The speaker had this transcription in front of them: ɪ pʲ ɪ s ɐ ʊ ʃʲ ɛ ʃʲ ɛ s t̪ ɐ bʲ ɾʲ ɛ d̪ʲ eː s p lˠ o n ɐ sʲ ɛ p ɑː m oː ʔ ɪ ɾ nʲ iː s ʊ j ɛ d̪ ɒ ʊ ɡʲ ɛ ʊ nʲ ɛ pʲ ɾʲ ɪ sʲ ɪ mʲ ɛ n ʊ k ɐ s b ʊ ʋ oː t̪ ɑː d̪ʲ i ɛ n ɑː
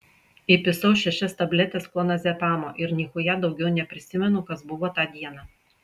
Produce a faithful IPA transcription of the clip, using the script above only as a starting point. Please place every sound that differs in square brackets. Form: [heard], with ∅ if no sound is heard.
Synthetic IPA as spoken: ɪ pʲ ɪ s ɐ ʊ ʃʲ ɛ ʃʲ ɛ s t̪ ɐ bʲ [lʲ] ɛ [t̪ʲ] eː s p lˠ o n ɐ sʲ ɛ p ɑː m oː ʔ ɪ ɾ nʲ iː [x] ʊ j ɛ d̪ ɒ ʊ ɡʲ ɛ ʊ nʲ ɛ pʲ ɾʲ ɪ sʲ ɪ mʲ ɛ n ʊ k ɐ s b ʊ ʋ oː t̪ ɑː d̪ʲ i ɛ n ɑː